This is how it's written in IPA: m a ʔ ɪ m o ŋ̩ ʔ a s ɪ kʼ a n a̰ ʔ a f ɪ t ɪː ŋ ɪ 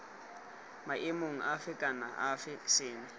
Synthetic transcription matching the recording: m a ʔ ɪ m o ŋ̩ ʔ a f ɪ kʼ a n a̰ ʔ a f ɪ s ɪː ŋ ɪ